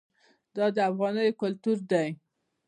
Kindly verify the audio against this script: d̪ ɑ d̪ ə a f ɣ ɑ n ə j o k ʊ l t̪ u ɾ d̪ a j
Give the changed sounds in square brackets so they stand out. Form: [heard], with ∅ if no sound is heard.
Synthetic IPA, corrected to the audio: d̪ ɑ d̪ ə a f ɣ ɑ n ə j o k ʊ l t̪ u ɾ d̪ a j